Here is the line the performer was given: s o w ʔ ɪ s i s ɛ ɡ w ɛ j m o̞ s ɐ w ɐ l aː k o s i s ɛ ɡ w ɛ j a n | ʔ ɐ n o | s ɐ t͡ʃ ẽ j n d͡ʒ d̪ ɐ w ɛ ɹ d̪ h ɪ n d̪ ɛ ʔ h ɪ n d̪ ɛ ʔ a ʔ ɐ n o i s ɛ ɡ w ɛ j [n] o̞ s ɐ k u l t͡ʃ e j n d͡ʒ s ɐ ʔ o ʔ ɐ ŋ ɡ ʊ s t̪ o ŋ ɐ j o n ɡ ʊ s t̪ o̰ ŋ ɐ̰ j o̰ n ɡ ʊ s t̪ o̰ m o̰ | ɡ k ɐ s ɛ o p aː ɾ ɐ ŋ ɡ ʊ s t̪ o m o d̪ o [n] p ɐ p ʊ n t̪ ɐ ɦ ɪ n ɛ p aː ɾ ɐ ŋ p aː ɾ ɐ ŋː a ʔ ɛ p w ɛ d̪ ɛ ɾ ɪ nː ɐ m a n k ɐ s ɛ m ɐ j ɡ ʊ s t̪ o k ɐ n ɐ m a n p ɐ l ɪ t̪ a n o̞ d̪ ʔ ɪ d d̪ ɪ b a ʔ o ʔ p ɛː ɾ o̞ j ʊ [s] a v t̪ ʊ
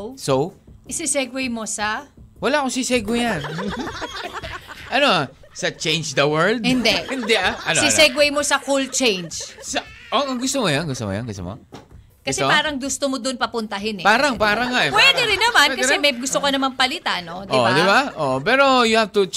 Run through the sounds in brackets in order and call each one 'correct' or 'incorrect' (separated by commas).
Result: incorrect, correct, incorrect